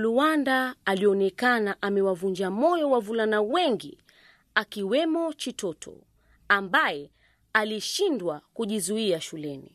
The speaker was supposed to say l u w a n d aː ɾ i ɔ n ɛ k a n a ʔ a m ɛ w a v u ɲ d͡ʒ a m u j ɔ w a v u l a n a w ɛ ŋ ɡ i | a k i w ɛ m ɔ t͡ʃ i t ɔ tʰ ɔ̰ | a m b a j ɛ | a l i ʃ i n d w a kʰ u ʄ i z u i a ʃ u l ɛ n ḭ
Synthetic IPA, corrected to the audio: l u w a n d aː l i ɔ n ɛ k a n a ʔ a m ɛ w a v u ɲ d͡ʒ a m ɔ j ɔ w a v u l a n a w ɛ ŋ ɡ i | a k i w ɛ m ɔ t͡ʃ i t ɔ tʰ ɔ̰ | a m b a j ɛ | a l i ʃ i n d w a k u ʄ i z u i a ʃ u l ɛ n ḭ